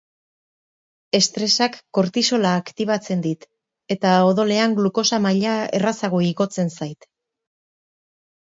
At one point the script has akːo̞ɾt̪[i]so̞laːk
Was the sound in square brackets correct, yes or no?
yes